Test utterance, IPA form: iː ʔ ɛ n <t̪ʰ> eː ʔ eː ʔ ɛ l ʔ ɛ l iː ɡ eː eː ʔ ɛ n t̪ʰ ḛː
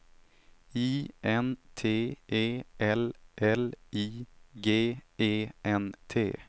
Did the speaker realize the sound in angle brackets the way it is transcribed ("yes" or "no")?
yes